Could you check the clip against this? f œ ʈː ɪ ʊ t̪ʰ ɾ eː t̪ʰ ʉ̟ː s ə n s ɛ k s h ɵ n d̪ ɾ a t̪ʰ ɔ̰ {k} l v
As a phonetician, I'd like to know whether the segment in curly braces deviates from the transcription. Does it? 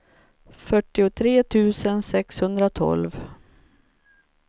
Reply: yes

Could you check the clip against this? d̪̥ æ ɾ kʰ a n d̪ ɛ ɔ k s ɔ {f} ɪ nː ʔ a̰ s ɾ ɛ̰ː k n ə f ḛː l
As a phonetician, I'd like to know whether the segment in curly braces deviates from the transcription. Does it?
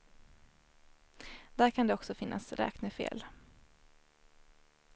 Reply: no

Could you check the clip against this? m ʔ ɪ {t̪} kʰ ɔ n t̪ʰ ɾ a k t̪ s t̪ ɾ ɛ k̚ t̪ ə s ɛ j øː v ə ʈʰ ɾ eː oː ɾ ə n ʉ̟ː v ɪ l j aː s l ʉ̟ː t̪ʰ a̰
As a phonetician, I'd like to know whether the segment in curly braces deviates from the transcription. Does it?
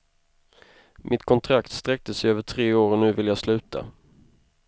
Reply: no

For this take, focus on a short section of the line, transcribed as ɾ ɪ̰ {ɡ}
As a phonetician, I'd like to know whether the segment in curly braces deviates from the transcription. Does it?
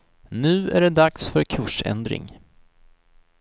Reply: yes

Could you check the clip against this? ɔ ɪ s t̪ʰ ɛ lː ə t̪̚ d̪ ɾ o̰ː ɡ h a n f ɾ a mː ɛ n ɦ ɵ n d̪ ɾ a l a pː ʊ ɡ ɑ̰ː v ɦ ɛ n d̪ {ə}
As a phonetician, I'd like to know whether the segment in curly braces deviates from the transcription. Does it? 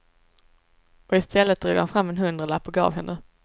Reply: no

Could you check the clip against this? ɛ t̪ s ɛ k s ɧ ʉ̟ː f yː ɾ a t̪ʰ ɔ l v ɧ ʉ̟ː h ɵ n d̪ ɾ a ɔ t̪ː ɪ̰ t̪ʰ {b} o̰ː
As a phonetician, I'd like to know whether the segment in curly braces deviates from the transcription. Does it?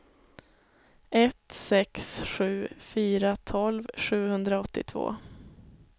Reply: yes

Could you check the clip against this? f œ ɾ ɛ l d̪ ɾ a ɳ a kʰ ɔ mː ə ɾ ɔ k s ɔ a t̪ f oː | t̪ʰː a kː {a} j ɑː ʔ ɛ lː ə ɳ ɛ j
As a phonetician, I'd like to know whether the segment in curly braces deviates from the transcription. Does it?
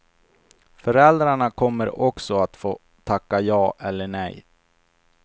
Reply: no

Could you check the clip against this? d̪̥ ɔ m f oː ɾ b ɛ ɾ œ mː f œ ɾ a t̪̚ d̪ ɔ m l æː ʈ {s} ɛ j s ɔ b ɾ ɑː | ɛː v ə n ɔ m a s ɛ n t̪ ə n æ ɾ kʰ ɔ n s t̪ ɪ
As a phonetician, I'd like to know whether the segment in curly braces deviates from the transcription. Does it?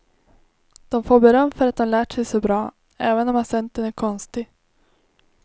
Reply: yes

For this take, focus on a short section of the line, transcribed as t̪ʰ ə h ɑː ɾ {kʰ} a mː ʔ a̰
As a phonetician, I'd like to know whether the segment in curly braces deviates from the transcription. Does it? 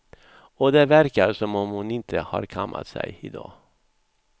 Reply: no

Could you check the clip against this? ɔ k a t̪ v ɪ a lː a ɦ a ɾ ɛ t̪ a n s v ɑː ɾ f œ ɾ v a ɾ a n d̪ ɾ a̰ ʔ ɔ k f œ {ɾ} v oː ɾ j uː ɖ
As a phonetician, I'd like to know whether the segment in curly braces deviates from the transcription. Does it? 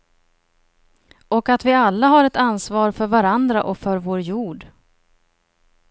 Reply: no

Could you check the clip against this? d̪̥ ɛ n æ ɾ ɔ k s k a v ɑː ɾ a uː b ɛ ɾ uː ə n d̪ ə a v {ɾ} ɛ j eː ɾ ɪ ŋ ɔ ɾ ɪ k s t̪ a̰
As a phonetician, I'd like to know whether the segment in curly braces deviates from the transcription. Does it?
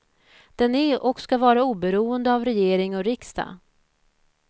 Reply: no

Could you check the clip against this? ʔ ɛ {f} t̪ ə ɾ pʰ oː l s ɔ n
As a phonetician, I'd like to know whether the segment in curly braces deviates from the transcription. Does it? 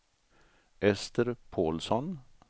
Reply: yes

